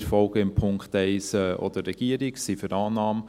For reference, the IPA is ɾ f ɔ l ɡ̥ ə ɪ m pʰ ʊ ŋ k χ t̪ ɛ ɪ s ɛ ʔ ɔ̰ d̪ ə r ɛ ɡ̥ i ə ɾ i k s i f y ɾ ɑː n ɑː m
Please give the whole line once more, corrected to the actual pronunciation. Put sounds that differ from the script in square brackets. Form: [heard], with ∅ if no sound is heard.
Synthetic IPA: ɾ f ɔ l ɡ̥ ə ɪ m pʰ ʊ ŋ k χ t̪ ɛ ɪ s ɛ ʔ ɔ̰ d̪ ə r ɛ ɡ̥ i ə ɾ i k s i f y ɾ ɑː n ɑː m